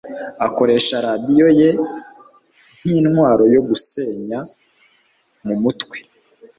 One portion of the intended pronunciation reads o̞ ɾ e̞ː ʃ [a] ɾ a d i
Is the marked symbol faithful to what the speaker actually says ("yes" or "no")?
yes